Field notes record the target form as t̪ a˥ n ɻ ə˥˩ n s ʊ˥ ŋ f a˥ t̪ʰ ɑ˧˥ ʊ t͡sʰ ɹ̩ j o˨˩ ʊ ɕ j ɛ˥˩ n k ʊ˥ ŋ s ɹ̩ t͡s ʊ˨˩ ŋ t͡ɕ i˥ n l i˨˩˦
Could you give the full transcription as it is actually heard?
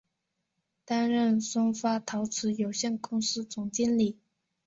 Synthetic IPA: t̪ a˥ n ɻ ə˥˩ n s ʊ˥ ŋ f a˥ t̪ʰ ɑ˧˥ ʊ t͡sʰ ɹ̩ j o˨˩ ʊ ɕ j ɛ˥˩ n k ʊ˥ ŋ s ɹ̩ t͡s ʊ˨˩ ŋ t͡ɕ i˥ n l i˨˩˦